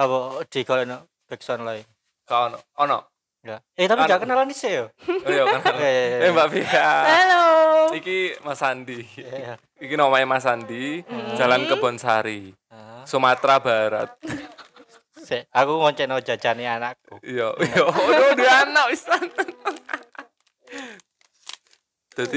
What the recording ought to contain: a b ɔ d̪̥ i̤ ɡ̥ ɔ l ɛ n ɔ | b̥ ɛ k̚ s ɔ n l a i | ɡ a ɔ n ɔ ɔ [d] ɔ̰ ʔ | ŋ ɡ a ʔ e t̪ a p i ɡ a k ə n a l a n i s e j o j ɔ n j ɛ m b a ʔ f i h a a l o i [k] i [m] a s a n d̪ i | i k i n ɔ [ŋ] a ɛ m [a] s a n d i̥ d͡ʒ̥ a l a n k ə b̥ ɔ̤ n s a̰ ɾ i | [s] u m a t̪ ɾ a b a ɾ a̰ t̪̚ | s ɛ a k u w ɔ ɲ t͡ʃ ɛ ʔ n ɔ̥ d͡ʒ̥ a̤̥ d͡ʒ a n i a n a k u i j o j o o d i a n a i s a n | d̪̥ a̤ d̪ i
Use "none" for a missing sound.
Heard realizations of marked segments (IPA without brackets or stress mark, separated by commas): n, k, m, m, a, s